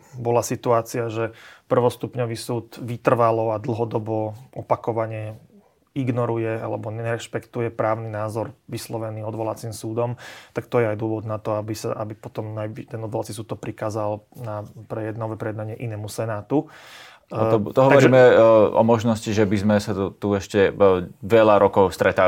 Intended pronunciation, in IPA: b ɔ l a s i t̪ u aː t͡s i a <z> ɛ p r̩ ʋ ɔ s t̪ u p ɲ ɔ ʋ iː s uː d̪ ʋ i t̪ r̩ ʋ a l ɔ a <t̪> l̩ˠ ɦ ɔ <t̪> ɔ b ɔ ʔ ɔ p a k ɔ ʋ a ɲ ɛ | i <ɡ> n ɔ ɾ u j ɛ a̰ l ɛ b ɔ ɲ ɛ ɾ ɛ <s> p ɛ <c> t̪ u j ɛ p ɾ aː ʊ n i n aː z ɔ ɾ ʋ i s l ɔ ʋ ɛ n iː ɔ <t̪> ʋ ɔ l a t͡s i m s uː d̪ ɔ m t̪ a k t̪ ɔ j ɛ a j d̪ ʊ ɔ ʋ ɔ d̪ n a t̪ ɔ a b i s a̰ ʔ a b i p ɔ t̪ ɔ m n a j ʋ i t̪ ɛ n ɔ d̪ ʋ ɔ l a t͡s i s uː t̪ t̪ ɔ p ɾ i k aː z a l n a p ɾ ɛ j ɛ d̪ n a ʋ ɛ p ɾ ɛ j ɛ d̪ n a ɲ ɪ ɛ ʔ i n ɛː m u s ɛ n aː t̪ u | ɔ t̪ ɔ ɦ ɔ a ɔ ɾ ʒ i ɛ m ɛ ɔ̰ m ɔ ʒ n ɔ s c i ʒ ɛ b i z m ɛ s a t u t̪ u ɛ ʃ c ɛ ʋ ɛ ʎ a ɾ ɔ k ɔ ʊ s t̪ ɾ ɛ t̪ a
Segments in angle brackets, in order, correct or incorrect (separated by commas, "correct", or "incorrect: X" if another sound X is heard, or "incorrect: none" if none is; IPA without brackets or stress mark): incorrect: ʒ, incorrect: d̪, incorrect: d̪, correct, incorrect: ʃ, incorrect: k, incorrect: d̪